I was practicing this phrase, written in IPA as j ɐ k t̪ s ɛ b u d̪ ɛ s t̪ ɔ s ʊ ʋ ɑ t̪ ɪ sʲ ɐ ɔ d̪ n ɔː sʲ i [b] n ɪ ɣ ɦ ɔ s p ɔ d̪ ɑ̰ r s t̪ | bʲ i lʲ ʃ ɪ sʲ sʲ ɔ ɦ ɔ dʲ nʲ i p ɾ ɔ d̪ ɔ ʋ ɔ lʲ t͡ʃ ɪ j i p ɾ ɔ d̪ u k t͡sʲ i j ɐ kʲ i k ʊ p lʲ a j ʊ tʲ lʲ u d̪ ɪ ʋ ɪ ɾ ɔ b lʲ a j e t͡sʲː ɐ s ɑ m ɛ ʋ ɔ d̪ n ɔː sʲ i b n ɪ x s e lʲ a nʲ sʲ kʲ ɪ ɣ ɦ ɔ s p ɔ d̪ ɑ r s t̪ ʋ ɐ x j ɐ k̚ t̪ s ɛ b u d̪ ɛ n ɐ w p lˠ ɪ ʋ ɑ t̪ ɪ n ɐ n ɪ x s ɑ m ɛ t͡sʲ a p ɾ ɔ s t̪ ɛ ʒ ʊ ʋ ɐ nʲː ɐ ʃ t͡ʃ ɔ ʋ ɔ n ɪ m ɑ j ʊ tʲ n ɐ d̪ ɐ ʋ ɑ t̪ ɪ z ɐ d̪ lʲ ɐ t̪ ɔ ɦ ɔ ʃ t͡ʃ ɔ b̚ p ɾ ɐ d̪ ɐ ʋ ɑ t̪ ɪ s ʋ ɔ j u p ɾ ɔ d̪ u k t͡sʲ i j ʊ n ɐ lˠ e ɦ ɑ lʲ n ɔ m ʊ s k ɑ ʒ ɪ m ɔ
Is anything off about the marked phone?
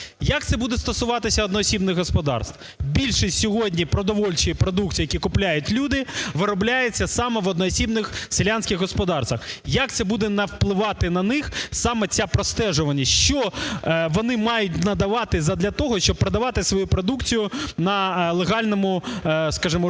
no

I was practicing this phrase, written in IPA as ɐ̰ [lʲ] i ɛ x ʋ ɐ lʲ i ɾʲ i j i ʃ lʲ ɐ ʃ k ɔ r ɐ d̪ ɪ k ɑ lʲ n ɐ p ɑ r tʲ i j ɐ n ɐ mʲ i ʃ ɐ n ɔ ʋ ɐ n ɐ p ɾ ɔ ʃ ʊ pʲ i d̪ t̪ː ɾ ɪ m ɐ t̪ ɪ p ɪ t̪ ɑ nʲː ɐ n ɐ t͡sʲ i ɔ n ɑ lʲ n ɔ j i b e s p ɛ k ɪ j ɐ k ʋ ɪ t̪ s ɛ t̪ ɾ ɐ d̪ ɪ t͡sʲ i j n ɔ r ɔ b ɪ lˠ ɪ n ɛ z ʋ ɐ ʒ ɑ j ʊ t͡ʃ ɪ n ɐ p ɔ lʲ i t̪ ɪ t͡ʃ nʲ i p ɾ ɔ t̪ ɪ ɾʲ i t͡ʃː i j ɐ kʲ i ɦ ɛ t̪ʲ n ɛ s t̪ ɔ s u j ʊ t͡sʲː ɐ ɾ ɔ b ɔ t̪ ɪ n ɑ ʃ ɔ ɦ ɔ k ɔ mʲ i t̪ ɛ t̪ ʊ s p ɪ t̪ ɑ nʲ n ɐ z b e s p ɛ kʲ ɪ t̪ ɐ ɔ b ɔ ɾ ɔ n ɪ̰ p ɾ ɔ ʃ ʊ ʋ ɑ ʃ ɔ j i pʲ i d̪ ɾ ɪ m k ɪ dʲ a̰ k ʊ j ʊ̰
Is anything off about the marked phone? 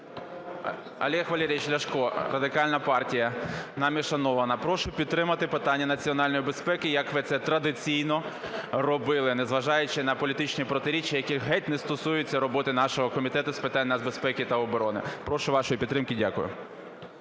no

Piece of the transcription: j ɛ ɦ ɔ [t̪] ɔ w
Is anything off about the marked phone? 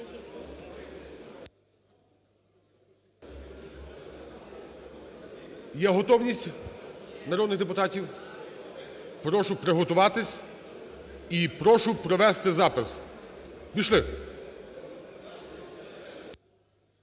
no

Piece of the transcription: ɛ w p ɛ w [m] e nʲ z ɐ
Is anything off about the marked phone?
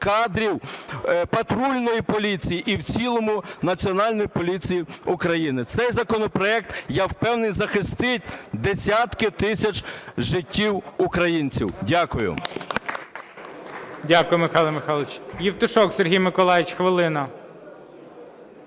yes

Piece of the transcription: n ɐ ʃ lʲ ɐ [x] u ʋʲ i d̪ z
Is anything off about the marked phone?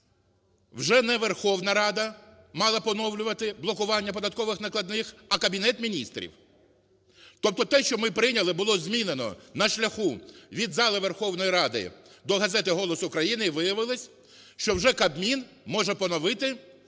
no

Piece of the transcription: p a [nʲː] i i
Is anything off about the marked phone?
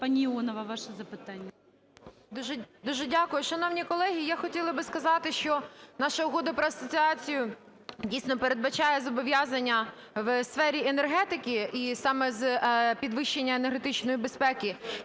yes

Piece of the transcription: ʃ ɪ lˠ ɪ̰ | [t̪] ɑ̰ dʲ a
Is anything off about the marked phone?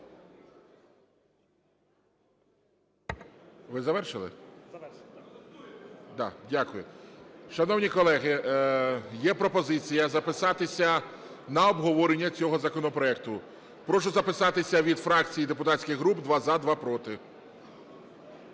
yes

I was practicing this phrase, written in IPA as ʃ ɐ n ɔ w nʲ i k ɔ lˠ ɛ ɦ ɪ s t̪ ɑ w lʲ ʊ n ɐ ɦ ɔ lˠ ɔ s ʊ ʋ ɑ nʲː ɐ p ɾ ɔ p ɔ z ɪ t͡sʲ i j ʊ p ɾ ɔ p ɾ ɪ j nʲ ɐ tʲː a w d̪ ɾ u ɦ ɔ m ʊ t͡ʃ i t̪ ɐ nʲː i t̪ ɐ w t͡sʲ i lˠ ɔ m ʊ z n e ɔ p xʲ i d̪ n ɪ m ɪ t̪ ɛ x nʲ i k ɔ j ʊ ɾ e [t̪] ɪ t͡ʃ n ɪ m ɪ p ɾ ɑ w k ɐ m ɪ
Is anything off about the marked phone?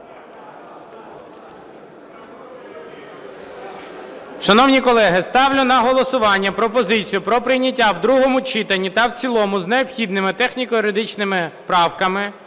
yes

